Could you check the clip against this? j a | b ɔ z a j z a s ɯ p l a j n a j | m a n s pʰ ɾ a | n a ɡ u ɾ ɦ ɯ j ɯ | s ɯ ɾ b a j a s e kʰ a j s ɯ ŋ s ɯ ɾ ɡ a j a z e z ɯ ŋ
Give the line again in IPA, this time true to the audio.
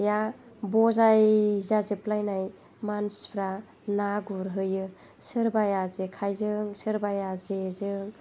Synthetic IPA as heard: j a | b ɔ z a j z a z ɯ p l a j n a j | m a n s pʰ ɾ a | n a ɡ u ɾ ɦ ɯ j ɯ | s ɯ ɾ b a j a z e kʰ a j z ɯ ŋ s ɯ ɾ b a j a z e z ɯ ŋ

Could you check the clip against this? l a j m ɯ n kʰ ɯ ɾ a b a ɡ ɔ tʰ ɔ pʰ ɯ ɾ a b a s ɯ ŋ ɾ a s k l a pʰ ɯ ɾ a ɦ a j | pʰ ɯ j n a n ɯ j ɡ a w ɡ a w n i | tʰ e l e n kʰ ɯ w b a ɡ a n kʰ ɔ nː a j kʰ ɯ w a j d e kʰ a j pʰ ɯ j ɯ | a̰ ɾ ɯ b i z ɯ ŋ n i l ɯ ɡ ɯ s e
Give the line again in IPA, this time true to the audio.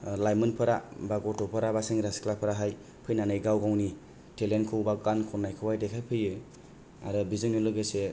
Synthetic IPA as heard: l a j m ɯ n pʰ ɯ ɾ a b a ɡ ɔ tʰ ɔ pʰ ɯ ɾ a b a s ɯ ŋ ɾ a s k l a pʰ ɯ ɾ a ɦ a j | pʰ ɯ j n a n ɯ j ɡ a w ɡ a w n i | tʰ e l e n kʰ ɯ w b a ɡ a n kʰ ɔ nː a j kʰ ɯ w a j d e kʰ a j pʰ ɯ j ɯ | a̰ ɾ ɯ b i z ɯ ŋ n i l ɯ ɡ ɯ s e

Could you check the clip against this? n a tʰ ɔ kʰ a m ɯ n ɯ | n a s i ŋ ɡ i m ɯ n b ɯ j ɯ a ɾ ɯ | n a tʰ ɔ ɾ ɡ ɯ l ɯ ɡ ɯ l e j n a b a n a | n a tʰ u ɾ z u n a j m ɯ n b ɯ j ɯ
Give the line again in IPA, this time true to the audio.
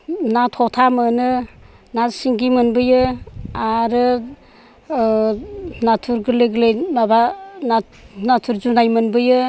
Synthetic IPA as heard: n a tʰ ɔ tʰ a m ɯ n ɯ | n a s i ŋ ɡ i m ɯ n b ɯ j ɯ a ɾ ɯ | n a tʰ u ɾ ɡ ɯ l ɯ ɡ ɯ l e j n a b a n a | n a tʰ u ɾ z u n a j m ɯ n b ɯ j ɯ

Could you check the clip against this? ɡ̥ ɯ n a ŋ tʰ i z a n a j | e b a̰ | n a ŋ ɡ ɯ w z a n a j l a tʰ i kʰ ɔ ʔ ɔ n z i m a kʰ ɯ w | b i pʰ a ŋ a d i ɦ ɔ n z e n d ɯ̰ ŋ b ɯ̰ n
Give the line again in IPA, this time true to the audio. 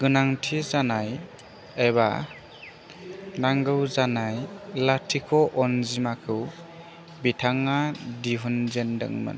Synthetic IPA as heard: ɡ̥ ɯ n a ŋ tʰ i z a n a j | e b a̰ | n a ŋ ɡ ɯ w z a n a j l a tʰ i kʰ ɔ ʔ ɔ n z i m a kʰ ɯ w | b i tʰ a ŋ a d i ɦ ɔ n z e n d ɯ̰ ŋ m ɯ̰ n

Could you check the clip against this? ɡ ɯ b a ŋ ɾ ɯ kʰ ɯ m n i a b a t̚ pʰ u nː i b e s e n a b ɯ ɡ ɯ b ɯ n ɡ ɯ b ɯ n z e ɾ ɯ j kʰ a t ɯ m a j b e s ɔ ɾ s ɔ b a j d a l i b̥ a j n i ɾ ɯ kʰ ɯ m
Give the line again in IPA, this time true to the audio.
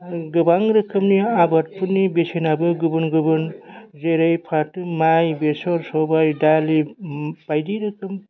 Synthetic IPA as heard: ɡ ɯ b a ŋ ɾ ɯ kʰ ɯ m n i a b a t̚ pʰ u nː i b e s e n a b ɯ ɡ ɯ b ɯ n ɡ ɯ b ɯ n z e ɾ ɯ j pʰ a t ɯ m a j b e s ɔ ɾ s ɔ b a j d a l i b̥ a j d i ɾ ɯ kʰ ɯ m

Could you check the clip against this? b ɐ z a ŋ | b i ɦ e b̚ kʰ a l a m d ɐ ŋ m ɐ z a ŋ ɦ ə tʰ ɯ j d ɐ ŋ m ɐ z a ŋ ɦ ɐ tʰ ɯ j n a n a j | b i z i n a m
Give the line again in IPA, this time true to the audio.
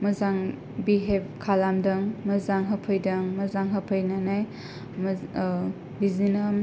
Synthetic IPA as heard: m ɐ z a ŋ | b i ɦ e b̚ kʰ a l a m d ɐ ŋ m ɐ z a ŋ ɦ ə pʰ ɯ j d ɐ ŋ m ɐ z a ŋ ɦ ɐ pʰ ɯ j n a n a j | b i z i n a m

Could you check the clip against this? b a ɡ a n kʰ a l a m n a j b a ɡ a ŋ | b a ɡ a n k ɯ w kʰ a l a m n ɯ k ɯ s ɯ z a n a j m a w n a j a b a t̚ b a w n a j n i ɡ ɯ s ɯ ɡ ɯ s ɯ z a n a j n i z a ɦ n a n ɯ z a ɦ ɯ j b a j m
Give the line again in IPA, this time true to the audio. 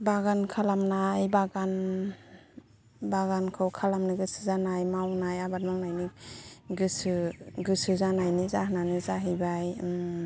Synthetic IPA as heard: b a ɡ a n kʰ a l a m n a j b a ɡ a n | b a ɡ a n kʰ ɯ w kʰ a l a m n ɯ ɡ ɯ s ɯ z a n a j m a w n a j a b a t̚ m a w n a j n i ɡ ɯ s ɯ ɡ ɯ s ɯ z a n a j n i z a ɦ n a n ɯ z a ɦ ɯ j b a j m

